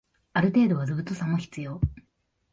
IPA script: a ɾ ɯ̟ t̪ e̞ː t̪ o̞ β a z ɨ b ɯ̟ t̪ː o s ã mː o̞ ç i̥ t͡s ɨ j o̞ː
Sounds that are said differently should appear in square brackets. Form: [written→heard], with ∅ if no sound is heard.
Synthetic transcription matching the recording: a ɾ ɯ̟ t̪ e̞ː [t̪→d̪] o̞ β a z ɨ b ɯ̟ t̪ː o s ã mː o̞ ç i̥ t͡s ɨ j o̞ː